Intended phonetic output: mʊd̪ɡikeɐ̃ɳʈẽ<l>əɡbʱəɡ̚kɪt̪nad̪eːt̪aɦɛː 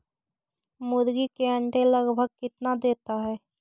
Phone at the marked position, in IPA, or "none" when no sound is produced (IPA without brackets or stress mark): l